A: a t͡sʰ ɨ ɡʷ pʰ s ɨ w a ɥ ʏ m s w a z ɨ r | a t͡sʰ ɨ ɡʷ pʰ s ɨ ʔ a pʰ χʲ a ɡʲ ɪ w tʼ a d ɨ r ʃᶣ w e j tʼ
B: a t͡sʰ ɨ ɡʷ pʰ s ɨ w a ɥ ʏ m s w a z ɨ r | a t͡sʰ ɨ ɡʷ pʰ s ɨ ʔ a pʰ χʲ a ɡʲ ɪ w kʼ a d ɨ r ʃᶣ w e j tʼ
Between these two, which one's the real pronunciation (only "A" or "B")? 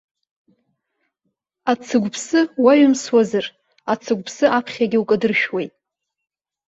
B